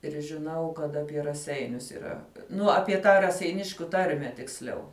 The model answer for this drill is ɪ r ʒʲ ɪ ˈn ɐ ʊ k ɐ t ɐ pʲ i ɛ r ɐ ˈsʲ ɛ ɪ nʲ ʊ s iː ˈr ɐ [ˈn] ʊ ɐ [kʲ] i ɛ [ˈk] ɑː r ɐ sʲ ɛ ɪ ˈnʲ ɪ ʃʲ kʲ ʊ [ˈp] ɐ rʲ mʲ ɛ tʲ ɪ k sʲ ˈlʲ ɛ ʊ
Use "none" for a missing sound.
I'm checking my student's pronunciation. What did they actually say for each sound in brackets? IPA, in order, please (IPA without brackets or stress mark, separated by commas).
n, pʲ, t, t